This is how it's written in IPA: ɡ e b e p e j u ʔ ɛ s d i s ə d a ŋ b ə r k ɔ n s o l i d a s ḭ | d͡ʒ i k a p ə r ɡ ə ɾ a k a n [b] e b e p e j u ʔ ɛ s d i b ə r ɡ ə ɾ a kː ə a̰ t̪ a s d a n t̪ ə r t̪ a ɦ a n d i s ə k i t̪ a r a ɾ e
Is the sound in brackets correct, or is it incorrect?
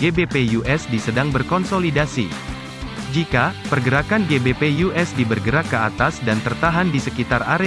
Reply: incorrect